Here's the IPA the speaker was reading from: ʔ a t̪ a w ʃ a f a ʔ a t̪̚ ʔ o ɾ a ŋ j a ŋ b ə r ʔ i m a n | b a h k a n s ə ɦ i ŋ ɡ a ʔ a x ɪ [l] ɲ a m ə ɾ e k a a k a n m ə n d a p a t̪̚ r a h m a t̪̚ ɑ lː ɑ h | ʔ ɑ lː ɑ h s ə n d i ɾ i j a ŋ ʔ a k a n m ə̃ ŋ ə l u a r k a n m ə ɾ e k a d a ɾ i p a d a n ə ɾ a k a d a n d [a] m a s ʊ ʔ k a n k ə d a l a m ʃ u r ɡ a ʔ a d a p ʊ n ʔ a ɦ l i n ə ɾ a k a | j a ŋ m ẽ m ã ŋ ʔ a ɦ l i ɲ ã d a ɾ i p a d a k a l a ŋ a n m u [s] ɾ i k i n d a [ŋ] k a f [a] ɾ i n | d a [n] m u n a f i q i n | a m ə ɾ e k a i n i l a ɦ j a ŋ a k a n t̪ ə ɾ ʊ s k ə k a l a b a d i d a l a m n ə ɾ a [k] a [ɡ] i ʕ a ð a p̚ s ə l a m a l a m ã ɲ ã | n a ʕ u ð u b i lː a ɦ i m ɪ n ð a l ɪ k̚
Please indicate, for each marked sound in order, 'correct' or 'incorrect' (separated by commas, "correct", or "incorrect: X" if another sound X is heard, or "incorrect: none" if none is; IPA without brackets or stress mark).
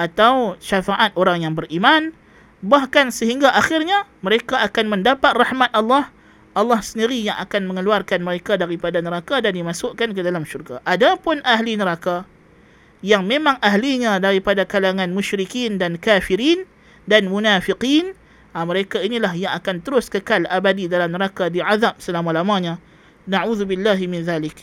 incorrect: r, incorrect: i, incorrect: ʃ, incorrect: n, incorrect: i, correct, correct, incorrect: d